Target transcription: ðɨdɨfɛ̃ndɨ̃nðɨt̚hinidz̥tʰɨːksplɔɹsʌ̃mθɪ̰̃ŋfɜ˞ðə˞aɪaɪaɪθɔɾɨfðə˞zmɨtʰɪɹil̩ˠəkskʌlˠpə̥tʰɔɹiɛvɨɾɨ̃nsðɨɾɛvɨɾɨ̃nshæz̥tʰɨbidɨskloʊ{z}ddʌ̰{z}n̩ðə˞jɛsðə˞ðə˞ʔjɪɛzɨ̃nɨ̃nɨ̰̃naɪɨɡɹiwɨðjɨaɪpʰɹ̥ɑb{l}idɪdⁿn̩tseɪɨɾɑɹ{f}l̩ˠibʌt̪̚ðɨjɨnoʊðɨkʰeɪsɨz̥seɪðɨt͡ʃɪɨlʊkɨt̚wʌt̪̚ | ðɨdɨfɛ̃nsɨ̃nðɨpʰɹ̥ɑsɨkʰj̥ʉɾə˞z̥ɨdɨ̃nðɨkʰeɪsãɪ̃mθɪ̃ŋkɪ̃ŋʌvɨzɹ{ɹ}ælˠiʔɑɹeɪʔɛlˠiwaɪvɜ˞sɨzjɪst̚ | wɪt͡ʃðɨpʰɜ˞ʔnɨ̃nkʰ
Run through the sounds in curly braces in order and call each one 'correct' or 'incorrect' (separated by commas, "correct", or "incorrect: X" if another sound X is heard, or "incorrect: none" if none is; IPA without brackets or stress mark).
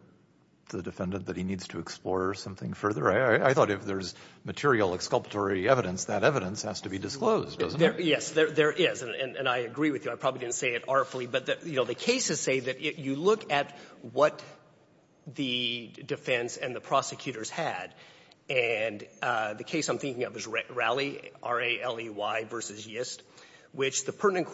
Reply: correct, correct, correct, correct, correct